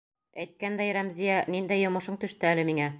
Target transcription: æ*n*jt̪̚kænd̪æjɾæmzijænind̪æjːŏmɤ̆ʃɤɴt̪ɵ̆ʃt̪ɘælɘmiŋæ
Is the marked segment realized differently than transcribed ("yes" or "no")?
yes